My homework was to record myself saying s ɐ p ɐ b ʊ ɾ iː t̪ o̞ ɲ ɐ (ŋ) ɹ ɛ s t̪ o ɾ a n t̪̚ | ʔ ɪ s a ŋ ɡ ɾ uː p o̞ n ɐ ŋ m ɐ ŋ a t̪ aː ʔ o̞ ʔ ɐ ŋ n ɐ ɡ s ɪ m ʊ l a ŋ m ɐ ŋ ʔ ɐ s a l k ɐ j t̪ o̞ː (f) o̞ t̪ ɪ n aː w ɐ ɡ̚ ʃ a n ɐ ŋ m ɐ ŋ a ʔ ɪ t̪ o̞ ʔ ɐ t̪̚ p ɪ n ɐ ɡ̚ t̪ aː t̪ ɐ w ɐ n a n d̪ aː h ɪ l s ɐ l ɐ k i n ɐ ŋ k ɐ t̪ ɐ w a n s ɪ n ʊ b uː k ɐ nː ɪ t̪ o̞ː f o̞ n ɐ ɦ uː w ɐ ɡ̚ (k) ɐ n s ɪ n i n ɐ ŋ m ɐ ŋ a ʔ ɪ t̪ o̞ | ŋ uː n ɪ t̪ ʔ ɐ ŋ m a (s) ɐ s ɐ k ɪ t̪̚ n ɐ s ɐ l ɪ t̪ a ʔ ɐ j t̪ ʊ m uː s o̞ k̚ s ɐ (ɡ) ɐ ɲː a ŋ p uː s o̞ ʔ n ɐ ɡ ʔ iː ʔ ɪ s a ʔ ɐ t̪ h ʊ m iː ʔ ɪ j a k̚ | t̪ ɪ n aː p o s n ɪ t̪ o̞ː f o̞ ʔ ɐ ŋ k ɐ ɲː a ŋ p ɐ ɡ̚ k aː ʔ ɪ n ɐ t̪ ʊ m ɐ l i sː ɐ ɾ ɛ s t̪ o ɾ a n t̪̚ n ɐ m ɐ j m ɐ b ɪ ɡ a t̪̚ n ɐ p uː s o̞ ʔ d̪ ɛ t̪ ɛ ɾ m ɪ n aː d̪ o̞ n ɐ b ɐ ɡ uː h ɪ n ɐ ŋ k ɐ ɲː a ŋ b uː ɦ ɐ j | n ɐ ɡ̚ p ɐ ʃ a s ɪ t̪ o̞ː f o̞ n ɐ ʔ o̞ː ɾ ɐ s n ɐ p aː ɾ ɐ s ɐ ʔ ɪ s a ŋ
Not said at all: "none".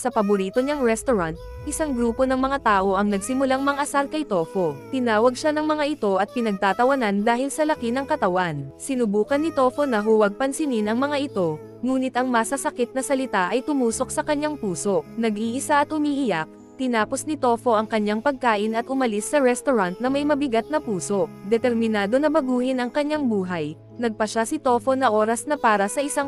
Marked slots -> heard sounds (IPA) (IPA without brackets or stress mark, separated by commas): ŋ, f, p, s, k